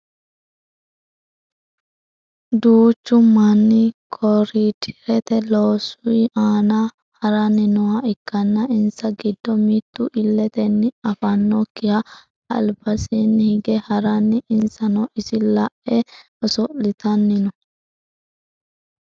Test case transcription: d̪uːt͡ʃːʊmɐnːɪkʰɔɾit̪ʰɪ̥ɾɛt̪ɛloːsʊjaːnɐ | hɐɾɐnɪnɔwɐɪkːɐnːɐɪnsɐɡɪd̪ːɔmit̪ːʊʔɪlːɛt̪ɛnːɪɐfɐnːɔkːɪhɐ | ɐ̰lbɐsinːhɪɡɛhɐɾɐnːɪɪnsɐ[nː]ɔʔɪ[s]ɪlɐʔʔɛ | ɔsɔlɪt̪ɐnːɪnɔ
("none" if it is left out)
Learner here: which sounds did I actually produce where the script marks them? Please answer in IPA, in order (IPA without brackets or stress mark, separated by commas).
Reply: n, s